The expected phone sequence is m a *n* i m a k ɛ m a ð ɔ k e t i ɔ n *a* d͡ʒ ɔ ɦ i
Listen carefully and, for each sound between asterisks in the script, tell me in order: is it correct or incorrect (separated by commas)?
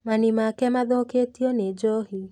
correct, incorrect